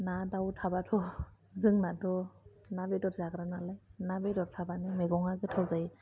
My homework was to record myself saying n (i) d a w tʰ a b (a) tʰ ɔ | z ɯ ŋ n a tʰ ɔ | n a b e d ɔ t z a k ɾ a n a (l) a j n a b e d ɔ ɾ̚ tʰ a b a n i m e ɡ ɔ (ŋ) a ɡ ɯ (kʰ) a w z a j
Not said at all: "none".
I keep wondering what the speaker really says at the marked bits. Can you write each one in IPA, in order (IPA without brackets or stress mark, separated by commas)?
a, a, l, ŋ, tʰ